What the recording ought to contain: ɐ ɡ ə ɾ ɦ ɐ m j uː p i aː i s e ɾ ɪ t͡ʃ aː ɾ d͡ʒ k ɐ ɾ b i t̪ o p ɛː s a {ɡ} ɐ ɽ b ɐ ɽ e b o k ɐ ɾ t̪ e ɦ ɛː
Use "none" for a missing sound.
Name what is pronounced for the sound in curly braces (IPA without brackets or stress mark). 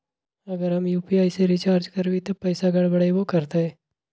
ɡ